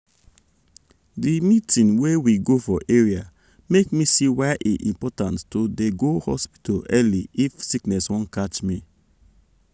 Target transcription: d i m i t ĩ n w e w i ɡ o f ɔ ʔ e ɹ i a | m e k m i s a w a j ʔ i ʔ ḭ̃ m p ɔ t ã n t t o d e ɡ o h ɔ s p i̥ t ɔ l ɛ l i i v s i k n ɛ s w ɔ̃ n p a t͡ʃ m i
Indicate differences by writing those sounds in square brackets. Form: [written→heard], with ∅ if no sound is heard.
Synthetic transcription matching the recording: d i m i t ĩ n w e w i ɡ o f ɔ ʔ e ɹ i a | m e k m i s [a→i] w a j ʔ i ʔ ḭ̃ m p ɔ t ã n t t o d e ɡ o h ɔ s p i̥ t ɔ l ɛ l i i [v→f] s i k n ɛ s w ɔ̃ n [p→k] a t͡ʃ m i